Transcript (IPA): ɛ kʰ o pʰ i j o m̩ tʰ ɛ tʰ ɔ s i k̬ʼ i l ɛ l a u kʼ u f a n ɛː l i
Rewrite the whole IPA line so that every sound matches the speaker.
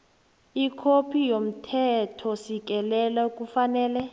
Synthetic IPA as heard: i kʰ o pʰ i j o m̩ tʰ ɛ tʰ ɔ s i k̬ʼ ɛ l ɛ l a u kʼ u f a n ɛː l ɛ